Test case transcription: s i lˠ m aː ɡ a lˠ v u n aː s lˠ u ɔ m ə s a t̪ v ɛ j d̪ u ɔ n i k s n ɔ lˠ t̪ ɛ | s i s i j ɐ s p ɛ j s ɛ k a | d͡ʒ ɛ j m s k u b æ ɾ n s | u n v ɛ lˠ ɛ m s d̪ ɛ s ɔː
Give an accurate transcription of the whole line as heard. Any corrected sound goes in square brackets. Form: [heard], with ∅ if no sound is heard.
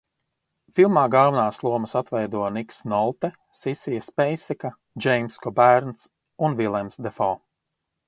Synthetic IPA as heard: [f] i lˠ m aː ɡ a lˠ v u n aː s lˠ u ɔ m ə s a t̪ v ɛ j d̪ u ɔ n i k s n ɔ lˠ t̪ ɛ | s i s i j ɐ s p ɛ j s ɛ k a | d͡ʒ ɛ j m s k [ɔ] b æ ɾ n s | u n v [i] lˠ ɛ m s d̪ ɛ [f] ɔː